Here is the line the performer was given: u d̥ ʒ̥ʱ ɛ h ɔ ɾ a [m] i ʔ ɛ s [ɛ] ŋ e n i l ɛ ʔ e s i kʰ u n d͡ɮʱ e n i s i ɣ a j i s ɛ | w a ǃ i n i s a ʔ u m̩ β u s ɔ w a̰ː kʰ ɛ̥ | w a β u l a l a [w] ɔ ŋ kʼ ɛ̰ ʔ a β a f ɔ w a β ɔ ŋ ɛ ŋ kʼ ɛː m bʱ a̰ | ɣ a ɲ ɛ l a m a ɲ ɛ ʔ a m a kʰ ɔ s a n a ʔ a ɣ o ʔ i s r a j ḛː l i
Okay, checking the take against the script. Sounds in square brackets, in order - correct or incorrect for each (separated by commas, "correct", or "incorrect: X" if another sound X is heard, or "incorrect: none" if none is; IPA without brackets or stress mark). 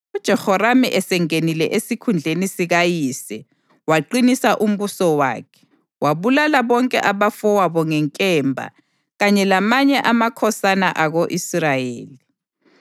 correct, correct, incorrect: β